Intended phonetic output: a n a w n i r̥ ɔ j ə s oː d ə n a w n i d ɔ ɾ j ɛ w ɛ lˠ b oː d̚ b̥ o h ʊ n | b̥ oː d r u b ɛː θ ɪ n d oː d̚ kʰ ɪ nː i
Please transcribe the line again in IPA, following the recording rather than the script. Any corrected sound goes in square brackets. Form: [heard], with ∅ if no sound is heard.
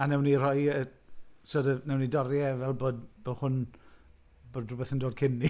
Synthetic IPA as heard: a n [ɛ] w n i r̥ ɔ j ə s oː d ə n [ɛ] w n i d ɔ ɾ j ɛ [v] ɛ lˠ b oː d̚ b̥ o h ʊ n | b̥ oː d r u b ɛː θ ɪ n d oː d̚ kʰ ɪ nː i